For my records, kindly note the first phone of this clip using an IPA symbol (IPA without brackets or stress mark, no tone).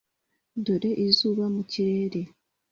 d